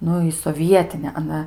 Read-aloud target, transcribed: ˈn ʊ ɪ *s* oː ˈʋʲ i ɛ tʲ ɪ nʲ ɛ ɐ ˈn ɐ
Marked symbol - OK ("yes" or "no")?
yes